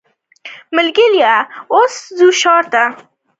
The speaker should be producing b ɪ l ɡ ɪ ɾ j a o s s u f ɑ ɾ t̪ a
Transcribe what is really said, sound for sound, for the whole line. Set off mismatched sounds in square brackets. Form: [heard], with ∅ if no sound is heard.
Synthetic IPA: [m] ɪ l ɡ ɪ [l] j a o s [z] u [ʃ] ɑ ɾ t̪ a